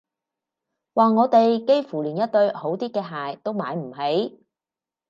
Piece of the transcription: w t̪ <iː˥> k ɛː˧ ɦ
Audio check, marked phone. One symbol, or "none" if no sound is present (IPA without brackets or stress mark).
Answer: iː˥